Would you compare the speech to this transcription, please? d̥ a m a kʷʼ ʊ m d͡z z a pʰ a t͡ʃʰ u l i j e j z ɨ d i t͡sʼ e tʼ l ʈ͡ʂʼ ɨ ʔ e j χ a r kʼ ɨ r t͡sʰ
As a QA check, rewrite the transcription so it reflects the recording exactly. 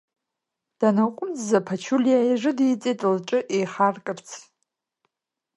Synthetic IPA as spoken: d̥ a n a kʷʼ ʊ m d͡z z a pʰ a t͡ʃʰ u l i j a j ʐ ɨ d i t͡sʼ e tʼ l ʈ͡ʂʼ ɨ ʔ e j χ a r kʼ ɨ r t͡sʰ